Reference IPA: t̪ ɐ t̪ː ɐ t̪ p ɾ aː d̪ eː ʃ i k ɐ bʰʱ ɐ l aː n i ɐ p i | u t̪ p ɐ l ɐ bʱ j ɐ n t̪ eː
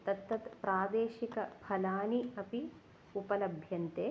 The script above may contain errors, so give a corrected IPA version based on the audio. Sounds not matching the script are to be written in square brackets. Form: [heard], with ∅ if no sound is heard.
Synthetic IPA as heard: t̪ ɐ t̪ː ɐ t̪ p ɾ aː d̪ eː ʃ i k ɐ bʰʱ ɐ l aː n i ɐ p i | u [∅] p ɐ l ɐ bʱ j ɐ n t̪ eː